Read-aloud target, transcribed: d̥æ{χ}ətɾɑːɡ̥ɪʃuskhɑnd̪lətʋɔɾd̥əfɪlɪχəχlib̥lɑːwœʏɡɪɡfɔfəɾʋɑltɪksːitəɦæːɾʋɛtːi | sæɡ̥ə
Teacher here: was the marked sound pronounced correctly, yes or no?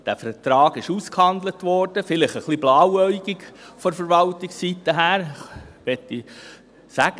no